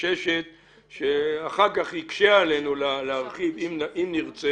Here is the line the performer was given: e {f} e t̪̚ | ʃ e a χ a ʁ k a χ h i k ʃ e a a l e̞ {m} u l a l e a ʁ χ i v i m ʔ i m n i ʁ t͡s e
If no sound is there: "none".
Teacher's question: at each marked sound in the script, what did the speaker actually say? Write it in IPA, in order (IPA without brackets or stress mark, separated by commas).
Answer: ʃ, n